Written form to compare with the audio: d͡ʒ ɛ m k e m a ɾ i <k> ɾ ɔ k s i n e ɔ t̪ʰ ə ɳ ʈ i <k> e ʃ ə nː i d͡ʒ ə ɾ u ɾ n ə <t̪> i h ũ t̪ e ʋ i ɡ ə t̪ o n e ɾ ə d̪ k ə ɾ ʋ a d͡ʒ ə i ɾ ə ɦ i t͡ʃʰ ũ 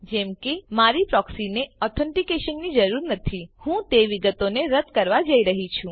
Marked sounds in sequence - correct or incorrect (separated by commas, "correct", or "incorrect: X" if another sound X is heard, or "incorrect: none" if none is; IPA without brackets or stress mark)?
incorrect: p, correct, incorrect: t̪ʰ